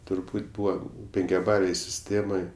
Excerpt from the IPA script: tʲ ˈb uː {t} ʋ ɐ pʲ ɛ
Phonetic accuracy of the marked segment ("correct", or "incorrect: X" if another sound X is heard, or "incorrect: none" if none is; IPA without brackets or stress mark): incorrect: none